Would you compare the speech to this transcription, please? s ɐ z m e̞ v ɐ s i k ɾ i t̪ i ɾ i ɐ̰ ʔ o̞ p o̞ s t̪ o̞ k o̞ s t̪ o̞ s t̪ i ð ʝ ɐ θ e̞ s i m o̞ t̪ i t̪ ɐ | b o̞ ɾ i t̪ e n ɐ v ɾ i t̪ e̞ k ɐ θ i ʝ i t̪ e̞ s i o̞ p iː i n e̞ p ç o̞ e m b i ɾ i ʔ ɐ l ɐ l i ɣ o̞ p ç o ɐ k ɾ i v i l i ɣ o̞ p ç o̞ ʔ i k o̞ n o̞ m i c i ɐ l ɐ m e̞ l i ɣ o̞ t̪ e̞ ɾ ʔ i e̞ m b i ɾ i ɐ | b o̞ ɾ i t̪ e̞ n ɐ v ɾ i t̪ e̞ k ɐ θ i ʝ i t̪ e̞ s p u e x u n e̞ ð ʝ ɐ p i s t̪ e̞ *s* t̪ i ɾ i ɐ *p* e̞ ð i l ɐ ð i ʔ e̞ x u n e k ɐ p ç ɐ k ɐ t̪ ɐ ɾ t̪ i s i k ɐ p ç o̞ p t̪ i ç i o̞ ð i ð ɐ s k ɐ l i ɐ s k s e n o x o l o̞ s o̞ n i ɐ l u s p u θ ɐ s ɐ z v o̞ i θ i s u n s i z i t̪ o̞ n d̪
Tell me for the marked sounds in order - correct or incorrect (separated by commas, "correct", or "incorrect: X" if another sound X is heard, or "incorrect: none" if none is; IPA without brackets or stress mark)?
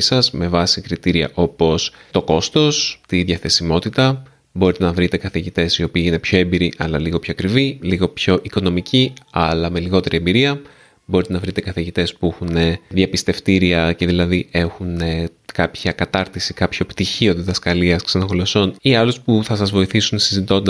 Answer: incorrect: f, incorrect: c